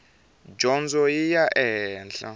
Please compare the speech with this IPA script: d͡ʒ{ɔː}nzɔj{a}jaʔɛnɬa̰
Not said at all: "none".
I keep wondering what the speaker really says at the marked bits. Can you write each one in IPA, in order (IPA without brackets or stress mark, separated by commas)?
ɔ, i